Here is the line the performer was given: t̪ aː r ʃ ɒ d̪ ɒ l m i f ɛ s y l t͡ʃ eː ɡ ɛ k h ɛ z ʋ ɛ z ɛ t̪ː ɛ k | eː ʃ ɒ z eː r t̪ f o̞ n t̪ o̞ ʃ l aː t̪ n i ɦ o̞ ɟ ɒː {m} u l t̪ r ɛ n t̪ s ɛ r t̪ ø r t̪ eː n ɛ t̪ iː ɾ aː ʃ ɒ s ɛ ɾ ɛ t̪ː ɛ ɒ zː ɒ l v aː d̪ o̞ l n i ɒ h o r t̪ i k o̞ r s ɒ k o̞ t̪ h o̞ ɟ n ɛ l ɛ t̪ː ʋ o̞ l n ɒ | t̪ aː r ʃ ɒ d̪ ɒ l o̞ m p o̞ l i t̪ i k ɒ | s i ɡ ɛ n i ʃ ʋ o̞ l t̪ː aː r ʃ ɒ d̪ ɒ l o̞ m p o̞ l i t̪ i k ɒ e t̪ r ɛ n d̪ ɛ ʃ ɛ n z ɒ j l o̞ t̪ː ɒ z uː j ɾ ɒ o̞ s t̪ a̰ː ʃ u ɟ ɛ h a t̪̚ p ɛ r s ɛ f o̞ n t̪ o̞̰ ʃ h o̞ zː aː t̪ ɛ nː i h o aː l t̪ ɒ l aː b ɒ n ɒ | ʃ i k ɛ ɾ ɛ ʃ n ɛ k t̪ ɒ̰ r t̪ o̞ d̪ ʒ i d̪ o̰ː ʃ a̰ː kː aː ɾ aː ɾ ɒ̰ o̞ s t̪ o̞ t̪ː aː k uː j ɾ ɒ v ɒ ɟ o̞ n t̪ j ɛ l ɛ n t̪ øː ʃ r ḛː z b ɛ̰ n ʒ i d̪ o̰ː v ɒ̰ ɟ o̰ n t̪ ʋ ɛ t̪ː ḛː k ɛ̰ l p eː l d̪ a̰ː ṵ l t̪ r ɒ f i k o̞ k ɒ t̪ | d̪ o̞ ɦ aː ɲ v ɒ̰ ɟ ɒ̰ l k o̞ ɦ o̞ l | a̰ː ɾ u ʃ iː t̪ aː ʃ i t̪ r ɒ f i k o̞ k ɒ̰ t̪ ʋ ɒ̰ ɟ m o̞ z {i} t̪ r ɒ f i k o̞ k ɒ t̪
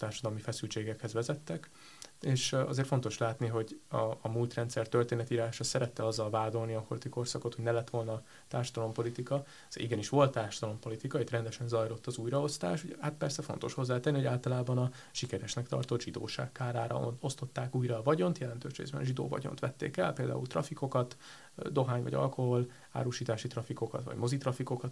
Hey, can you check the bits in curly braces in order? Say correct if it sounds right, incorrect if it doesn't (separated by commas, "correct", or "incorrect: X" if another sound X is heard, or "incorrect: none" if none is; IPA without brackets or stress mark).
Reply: correct, correct